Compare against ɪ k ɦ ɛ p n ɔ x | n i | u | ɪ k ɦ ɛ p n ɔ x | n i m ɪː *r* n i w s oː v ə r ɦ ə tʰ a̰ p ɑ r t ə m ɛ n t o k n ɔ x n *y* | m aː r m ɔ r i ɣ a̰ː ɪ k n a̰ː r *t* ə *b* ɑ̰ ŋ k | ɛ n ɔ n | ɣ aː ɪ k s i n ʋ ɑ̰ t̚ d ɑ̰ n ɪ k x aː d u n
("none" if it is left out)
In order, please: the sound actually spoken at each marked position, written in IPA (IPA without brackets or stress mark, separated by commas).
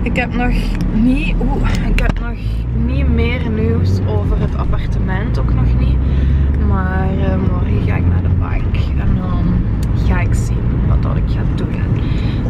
r, i, d, b